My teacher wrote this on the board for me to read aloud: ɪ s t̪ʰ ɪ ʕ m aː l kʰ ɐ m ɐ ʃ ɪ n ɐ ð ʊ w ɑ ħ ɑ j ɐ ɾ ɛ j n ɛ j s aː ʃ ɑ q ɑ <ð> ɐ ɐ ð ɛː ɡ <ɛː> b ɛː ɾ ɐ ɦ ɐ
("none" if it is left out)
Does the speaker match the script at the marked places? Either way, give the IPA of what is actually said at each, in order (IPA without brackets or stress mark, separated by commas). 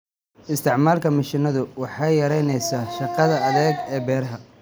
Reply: ð, ɛː